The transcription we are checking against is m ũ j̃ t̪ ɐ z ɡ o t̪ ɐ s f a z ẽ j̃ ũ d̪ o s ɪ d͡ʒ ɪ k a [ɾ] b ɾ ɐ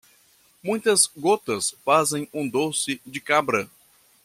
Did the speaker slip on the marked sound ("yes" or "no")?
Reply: yes